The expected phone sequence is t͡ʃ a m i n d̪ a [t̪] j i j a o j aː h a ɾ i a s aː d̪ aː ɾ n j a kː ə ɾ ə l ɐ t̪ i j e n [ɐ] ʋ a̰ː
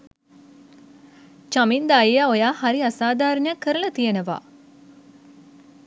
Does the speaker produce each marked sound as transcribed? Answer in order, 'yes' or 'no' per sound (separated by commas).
no, no